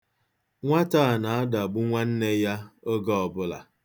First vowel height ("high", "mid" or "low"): low